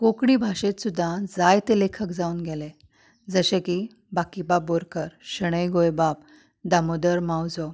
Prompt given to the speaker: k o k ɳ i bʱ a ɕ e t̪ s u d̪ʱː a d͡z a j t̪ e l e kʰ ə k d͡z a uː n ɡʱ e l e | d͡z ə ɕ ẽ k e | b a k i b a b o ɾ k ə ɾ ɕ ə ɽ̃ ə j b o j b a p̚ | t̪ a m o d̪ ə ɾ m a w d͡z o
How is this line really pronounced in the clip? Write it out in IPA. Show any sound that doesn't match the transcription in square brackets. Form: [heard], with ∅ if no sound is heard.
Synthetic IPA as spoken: k o k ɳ i bʱ a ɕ e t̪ s u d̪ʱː a d͡z a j t̪ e l e kʰ ə k d͡z a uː n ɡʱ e l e | d͡z ə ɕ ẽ k [i] | b a k i b a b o ɾ k ə ɾ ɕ ə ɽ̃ ə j [ɡ] o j b a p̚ | [d̪] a m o d̪ ə ɾ m a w d͡z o

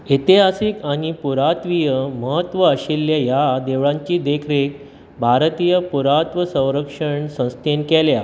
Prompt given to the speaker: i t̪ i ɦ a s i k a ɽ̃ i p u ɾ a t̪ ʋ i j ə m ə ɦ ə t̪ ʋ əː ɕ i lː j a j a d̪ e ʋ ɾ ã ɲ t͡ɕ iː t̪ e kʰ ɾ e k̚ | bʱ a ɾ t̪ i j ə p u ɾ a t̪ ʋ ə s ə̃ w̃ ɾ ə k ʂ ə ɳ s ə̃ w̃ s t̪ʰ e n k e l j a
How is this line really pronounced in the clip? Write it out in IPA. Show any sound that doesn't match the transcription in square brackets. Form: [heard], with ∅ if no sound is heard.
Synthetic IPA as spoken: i t̪ i ɦ a s i k a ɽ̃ i p u ɾ a t̪ ʋ i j ə m ə ɦ ə t̪ ʋ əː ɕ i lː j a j a d̪ e ʋ [ɭ] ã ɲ t͡ɕ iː [d̪] e kʰ ɾ e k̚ | bʱ a ɾ t̪ i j ə p u ɾ a t̪ ʋ ə s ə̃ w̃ ɾ ə k ʂ ə ɳ s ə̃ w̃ s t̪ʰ e n k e l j a

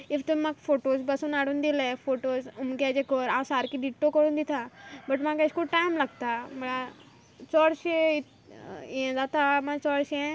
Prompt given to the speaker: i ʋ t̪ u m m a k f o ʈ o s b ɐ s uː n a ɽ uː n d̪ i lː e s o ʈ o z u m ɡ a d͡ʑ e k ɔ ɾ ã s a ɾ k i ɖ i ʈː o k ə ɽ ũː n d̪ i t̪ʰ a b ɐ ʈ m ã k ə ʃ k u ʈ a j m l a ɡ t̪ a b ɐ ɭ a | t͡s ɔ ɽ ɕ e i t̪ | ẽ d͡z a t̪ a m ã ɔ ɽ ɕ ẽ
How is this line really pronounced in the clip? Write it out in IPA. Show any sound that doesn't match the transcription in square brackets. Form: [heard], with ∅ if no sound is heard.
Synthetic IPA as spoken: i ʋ t̪ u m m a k f o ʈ o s b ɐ s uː n a ɽ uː n d̪ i [l] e [f] o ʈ o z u m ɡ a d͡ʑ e k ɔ ɾ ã s a ɾ k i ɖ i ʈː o k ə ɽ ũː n d̪ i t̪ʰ a b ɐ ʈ m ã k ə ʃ k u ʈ a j m l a ɡ t̪ a [m] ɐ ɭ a | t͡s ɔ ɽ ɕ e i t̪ | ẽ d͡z a t̪ a m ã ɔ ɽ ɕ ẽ

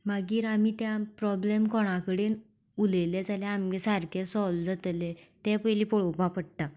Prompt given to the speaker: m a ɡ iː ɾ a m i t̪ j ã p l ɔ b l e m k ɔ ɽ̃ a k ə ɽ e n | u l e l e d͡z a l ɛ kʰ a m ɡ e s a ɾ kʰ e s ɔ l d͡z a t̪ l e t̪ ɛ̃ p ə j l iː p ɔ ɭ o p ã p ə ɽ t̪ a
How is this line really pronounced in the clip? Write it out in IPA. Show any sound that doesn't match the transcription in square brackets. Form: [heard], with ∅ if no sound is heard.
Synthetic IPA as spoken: m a ɡ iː ɾ a m i t̪ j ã p [ɾ] ɔ b l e m k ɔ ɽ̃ a k ə ɽ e n | u l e l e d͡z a l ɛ [∅] a m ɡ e s a ɾ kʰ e s ɔ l d͡z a t̪ l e t̪ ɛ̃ p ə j l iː p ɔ ɭ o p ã p ə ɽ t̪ a

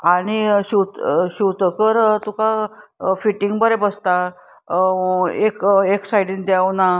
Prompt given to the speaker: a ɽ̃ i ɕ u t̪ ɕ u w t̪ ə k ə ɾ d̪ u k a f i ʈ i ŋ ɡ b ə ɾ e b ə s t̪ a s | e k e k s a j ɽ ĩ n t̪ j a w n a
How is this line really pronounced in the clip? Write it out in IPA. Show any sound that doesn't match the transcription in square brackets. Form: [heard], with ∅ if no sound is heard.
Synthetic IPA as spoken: a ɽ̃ i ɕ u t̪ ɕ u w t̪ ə k ə ɾ [t̪] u k a f i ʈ i ŋ ɡ b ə ɾ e b ə s t̪ a [∅] | e k e k s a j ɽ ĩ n [d̪] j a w n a

